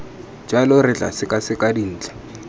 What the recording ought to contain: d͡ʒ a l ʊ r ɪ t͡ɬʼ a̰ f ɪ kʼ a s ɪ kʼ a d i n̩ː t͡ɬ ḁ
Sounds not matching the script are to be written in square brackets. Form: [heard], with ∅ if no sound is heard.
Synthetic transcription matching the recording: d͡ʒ a l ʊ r ɪ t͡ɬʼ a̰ [s] ɪ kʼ a s ɪ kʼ a d i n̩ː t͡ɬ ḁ

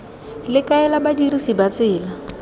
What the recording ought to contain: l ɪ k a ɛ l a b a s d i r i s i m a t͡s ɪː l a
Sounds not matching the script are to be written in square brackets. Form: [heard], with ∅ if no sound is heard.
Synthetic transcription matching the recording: l ɪ k a ɛ l a b a [∅] d i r i s i [b] a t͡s ɪː l a

